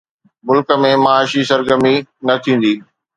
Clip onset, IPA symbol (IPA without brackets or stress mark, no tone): m